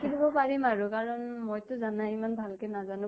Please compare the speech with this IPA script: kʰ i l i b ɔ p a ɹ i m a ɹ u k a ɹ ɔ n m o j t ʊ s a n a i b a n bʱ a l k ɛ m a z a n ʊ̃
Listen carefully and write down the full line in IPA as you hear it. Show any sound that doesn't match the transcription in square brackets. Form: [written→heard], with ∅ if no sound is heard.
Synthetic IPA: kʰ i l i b ɔ p a ɹ i m a ɹ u k a ɹ ɔ n m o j t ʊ [s→z] a n a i [b→m] a n bʱ a l k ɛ [m→n] a z a n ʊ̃